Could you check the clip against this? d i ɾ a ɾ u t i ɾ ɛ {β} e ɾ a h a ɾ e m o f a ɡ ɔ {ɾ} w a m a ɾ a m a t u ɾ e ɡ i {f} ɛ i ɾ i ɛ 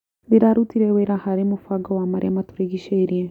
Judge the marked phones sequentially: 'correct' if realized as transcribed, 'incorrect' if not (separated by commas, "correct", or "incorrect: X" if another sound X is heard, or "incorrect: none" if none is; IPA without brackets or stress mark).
incorrect: w, incorrect: none, incorrect: ʃ